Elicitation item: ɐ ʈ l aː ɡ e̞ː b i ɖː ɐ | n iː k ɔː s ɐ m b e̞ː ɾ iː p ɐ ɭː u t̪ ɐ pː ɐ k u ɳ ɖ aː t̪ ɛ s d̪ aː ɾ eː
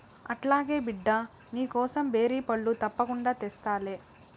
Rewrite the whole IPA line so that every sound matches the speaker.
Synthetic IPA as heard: ɐ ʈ l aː ɡ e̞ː b i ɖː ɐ | n iː k ɔː s ɐ m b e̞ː ɾ iː p ɐ ɭː u t̪ ɐ pː ɐ k u ɳ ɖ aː t̪ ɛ s t̪ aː l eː